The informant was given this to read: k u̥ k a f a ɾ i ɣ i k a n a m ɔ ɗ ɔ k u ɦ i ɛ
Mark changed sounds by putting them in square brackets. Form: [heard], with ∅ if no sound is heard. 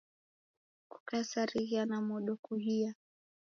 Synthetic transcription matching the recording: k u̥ k a [s] a ɾ i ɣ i [∅] a n a m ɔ ɗ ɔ k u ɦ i [a]

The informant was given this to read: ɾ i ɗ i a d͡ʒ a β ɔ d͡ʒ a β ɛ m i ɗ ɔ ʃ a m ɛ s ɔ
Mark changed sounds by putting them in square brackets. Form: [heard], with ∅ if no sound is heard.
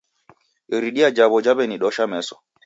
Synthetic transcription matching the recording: ɾ i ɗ i a d͡ʒ a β ɔ d͡ʒ a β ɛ [n] i ɗ ɔ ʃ a m ɛ s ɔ

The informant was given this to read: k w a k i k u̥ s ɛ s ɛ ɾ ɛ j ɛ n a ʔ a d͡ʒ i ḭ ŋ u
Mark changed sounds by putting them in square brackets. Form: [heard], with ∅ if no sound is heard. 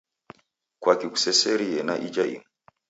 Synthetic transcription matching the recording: k w a k i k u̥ s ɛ s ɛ ɾ [i] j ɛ n a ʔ [i] d͡ʒ [a] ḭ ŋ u

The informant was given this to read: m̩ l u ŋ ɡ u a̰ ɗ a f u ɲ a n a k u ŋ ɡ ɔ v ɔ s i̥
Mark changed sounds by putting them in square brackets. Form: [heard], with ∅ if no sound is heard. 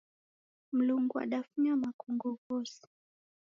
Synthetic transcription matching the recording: m̩ l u ŋ ɡ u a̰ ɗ a f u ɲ a [m] a k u ŋ ɡ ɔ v ɔ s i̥

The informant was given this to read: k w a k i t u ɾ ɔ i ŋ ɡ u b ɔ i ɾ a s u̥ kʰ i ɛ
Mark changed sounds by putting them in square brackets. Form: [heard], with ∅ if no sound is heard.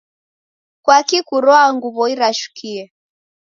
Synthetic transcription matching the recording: k w a k i [k] u ɾ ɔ [a] ŋ ɡ u [β] ɔ i ɾ a [ʃ] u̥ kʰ i ɛ

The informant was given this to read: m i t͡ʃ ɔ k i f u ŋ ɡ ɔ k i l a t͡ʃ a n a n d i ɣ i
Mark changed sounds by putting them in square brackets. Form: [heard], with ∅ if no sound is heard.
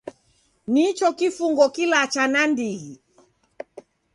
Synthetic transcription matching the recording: [n] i t͡ʃ ɔ k i f u ŋ ɡ ɔ k i l a t͡ʃ a n a n d i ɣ i

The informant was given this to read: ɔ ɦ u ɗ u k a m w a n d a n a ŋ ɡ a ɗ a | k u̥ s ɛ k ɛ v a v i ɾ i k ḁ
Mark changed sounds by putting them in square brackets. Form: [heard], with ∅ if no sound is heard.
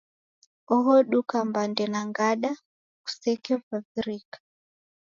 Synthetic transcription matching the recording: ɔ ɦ [ɔ] ɗ u k a m [b] a n d [ɛ] n a ŋ ɡ a ɗ a | k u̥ s ɛ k ɛ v a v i ɾ i k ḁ

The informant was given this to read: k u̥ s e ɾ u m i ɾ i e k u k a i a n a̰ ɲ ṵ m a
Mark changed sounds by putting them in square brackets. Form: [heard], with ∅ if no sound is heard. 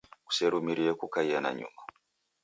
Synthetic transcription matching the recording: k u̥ s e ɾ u m i ɾ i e k u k a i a n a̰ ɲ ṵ m a

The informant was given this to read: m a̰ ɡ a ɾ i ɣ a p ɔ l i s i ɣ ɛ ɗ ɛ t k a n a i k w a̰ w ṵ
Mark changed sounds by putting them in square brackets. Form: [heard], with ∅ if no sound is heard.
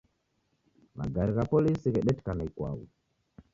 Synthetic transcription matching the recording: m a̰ ɡ a ɾ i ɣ a p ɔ l i s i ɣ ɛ ɗ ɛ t k a n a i k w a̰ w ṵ

